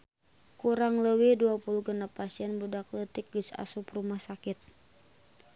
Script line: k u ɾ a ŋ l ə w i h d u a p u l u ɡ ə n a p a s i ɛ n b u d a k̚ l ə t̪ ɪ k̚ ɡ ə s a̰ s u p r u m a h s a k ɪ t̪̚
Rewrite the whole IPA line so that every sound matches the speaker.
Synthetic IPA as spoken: k u ɾ a ŋ l ə w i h d u a p u l u ɡ ə n a p a s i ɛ n b u d a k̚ l ə t̪ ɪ k̚ ɡ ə s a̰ s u p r u m a h s a k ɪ t̪̚